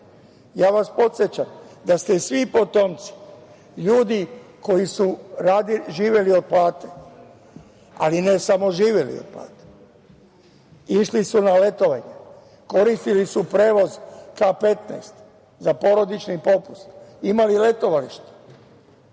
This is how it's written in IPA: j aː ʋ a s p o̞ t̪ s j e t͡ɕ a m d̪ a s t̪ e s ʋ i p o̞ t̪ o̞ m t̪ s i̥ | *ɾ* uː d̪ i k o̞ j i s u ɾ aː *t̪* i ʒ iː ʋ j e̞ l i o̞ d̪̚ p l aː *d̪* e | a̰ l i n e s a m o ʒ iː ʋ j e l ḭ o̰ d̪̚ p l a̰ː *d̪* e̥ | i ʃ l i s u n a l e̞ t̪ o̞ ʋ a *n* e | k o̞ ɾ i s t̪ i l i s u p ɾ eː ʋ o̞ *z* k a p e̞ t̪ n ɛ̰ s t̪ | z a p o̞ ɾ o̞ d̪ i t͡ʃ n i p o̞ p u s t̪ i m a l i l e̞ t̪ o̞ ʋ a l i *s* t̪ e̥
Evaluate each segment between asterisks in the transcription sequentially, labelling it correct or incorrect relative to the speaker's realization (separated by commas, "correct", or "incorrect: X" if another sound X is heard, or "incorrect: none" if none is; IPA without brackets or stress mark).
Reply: incorrect: ʎ, incorrect: d̪, incorrect: t̪, incorrect: t̪, incorrect: ɲ, correct, incorrect: ʃ